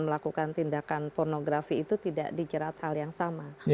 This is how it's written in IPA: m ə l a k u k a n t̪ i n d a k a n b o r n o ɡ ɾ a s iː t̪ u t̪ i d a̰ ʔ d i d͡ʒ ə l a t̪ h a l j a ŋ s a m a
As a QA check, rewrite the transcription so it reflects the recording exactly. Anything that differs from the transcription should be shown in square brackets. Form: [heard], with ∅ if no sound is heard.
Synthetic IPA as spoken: m ə l a k u k a n t̪ i n d a k a n [p] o r n o ɡ ɾ a [f] iː t̪ u t̪ i d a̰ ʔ d i d͡ʒ ə [ɾ] a t̪ h a l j a ŋ s a m a

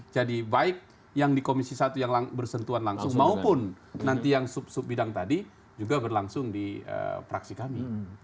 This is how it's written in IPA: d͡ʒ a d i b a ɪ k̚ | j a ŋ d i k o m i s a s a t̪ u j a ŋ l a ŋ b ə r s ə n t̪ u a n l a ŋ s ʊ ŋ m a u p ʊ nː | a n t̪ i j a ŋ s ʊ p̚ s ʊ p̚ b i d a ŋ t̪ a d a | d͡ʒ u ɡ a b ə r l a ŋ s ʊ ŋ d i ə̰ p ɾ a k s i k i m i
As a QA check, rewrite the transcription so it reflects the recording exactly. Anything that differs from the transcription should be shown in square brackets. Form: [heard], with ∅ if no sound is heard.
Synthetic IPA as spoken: d͡ʒ a d i b a ɪ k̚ | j a ŋ d i k o m i s [i] s a t̪ u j a ŋ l a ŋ b ə r s ə n t̪ u a n l a ŋ s ʊ ŋ m a u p ʊ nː | a n t̪ i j a ŋ s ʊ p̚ s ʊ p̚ b i d a ŋ t̪ a d [i] | d͡ʒ u ɡ a b ə r l a ŋ s ʊ ŋ d i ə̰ p ɾ a k s i k [a] m i

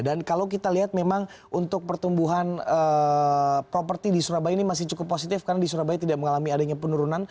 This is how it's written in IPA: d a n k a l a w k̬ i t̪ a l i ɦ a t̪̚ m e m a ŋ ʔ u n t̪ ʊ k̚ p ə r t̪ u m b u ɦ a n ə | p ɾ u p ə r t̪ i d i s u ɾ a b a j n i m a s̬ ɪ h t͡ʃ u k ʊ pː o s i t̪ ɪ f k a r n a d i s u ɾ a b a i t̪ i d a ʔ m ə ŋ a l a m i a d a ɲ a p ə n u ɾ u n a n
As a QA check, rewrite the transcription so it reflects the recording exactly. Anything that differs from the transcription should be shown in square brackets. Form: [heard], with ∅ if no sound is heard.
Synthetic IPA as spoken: d a n k a l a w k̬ i t̪ a l i ɦ a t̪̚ m e m a ŋ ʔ u n t̪ ʊ k̚ p ə r t̪ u m b u ɦ a n ə | p ɾ [o] p ə r t̪ i d i s u ɾ a b a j n i m a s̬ ɪ h t͡ʃ u k ʊ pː o s i t̪ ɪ f k a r n a d i s u ɾ a b a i t̪ i d a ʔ m ə ŋ a l a m i a d a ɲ a p ə n u ɾ u n a n

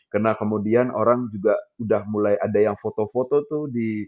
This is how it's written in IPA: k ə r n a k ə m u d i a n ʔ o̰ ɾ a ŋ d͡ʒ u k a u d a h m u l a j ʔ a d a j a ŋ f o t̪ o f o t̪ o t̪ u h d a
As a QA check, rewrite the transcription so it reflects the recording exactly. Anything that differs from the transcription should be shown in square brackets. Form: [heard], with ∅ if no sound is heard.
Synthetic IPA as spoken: k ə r n a k ə m u d i a n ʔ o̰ ɾ a ŋ d͡ʒ u [ɡ] a u d a h m u l a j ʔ a d a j a ŋ f o t̪ o f o t̪ o t̪ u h d [i]

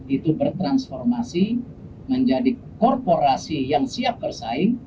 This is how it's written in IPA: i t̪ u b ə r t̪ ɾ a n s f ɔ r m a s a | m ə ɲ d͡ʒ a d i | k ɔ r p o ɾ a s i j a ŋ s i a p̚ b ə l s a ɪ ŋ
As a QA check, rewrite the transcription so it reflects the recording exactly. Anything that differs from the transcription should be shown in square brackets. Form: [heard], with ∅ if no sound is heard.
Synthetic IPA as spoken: i t̪ u b ə r t̪ ɾ a n s f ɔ r m a s [i] | m ə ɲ d͡ʒ a d i | k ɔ r p o ɾ a s i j a ŋ s i a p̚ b ə [r] s a ɪ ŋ

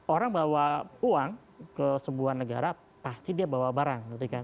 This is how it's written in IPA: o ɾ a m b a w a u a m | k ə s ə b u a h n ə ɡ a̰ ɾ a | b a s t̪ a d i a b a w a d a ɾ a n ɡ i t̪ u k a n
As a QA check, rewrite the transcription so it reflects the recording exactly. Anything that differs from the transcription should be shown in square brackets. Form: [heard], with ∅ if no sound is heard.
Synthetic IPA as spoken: o ɾ a [ŋ] b a w a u a [ŋ] | k ə s ə b u a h n ə ɡ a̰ ɾ a | [p] a s t̪ [i] d i a b a w a [b] a ɾ a [ŋ] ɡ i t̪ u k a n

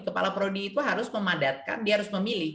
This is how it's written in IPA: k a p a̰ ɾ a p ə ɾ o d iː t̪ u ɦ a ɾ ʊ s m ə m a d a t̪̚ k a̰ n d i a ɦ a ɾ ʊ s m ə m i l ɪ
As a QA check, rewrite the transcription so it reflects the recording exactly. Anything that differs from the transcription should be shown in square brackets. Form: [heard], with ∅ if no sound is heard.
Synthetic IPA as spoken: k [ə] p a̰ [l] a p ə ɾ o d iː t̪ u ɦ a ɾ ʊ s m ə m a d a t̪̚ k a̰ n d i a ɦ a ɾ ʊ s m ə m i l ɪ

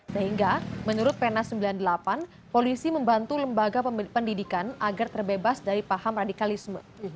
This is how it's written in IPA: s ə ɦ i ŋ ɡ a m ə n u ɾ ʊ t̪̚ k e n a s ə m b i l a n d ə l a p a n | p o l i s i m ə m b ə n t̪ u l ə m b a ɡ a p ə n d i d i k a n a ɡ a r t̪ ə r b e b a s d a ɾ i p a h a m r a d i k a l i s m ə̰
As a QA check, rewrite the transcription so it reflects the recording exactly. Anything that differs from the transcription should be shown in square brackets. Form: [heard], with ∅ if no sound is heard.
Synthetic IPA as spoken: s ə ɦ i ŋ ɡ a m ə n u ɾ ʊ t̪̚ [p] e n a s ə m b i l a n d ə l a p a n | p o l i s i m ə m b [a] n t̪ u l ə m b a ɡ a p ə n d i d i k a n a ɡ a r t̪ ə r b e b a s d a ɾ i p a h a m r a d i k a l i s m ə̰

